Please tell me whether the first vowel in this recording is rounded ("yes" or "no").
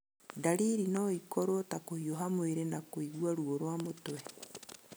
no